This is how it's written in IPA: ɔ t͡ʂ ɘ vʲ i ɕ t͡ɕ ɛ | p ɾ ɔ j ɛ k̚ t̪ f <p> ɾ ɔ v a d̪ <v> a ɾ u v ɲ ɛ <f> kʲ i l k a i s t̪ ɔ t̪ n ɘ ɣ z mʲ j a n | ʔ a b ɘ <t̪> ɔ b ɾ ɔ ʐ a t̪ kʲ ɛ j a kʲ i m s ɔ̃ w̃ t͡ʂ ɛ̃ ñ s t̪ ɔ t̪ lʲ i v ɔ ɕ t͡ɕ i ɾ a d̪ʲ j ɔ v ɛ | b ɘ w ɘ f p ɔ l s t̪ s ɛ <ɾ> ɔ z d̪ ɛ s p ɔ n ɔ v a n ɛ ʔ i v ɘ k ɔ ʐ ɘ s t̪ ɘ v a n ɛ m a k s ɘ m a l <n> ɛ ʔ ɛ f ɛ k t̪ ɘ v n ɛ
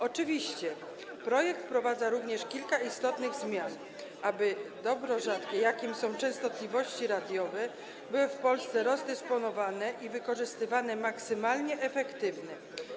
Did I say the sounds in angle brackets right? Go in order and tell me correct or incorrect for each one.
correct, incorrect: z, incorrect: ʂ, incorrect: d̪, correct, incorrect: ɲ

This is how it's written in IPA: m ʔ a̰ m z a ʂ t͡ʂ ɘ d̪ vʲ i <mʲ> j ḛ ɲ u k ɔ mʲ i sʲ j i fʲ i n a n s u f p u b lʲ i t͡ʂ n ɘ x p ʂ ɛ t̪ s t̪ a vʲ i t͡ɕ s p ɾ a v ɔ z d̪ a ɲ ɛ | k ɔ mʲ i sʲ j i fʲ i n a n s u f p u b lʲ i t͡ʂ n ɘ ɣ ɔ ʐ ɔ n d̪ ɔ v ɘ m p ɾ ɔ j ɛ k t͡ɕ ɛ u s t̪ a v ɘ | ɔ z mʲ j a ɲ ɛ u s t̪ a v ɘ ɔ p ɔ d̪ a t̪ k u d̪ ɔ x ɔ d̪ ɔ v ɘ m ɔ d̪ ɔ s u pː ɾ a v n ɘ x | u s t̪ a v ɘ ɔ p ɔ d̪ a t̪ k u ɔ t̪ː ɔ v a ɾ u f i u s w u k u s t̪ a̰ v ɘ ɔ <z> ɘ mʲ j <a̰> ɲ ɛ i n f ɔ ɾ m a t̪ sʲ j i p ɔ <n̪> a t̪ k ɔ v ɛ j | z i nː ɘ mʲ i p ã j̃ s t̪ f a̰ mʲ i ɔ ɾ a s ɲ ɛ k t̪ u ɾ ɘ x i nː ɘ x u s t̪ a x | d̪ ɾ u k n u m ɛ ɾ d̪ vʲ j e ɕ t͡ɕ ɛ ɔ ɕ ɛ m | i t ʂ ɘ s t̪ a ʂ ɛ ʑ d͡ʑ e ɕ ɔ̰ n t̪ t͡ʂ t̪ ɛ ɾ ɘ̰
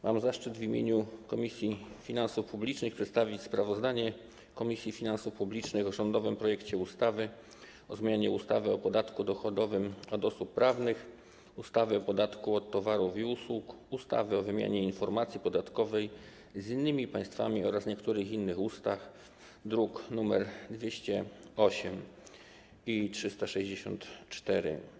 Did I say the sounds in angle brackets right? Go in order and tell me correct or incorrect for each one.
correct, incorrect: v, correct, incorrect: d̪

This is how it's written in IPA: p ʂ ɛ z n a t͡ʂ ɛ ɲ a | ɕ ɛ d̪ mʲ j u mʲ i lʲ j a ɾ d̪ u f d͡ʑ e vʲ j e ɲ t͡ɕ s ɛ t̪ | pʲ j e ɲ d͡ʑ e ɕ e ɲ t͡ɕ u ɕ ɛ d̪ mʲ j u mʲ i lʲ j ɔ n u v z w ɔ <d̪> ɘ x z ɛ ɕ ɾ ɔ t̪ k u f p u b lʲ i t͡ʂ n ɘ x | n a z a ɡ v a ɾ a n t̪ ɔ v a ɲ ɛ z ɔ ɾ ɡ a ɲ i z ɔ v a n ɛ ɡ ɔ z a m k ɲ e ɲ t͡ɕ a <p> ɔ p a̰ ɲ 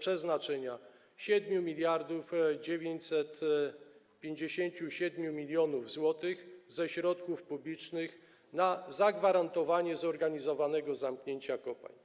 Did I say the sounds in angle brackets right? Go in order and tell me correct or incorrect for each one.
incorrect: t̪, incorrect: k

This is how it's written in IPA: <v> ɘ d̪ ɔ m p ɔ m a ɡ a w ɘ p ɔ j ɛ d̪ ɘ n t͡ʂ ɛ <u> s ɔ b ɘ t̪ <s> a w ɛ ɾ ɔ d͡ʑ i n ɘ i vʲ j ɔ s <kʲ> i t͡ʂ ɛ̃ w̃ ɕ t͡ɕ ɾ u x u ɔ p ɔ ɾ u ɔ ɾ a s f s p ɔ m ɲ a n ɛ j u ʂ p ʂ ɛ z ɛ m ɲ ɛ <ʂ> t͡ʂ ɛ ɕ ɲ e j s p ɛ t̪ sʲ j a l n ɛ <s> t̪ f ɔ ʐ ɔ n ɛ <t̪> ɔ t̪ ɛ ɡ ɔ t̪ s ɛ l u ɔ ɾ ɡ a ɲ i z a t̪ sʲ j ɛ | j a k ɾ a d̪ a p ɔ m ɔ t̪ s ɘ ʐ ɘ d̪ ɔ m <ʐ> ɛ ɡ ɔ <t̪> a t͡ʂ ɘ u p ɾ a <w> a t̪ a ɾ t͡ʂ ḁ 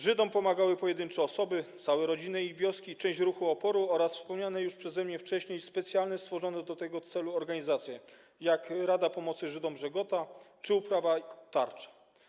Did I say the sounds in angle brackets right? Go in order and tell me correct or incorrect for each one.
incorrect: ʐ, incorrect: ɔ, correct, correct, incorrect: f, correct, incorrect: d̪, correct, correct, incorrect: v

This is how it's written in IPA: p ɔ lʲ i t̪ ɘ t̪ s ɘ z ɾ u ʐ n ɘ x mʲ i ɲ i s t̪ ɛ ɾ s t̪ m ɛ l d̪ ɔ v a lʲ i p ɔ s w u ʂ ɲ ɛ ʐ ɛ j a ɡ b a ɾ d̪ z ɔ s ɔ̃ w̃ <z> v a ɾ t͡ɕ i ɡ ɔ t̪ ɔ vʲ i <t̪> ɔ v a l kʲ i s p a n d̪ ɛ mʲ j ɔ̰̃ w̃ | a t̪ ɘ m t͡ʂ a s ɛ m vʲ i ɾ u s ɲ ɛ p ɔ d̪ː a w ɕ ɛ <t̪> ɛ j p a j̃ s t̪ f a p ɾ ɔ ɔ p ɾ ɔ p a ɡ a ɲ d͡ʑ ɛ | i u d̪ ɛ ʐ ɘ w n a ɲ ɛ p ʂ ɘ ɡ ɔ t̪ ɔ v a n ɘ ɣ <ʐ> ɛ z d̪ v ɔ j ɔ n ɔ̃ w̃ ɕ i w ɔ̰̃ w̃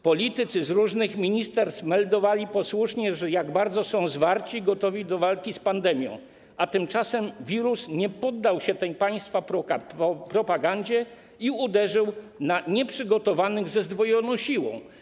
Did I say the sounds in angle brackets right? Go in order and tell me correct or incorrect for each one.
correct, incorrect: d̪, correct, incorrect: z

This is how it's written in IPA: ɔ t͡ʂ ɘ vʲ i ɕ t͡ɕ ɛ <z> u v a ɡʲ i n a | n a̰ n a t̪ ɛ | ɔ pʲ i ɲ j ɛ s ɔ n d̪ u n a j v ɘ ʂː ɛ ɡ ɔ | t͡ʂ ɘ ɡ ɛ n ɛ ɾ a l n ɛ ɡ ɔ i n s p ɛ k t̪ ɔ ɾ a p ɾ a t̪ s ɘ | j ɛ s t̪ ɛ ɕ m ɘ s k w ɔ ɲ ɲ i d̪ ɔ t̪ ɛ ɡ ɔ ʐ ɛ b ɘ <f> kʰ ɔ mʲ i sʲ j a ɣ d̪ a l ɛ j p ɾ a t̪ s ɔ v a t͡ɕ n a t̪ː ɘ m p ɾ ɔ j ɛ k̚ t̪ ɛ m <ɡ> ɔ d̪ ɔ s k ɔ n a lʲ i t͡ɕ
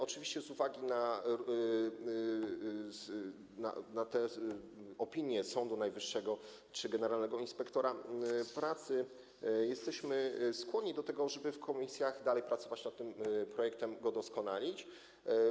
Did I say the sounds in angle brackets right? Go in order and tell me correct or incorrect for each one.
correct, correct, correct

